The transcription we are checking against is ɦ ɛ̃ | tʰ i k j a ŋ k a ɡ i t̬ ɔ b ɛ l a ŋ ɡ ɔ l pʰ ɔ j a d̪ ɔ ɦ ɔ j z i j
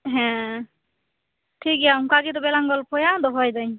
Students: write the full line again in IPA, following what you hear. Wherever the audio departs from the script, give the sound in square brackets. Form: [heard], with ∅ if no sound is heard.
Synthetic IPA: ɦ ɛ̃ | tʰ i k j a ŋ k a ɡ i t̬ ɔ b ɛ l a ŋ ɡ ɔ l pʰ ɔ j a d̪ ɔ ɦ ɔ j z [a] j